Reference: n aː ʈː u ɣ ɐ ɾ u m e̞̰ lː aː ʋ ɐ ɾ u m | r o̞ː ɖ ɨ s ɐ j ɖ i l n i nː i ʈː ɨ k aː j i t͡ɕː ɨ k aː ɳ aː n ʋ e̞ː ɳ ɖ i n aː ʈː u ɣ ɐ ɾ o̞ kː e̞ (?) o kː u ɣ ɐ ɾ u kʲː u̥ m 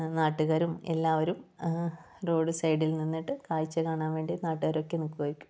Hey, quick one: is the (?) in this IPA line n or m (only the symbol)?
n